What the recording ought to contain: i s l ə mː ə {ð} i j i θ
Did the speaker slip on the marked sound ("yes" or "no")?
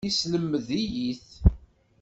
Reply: no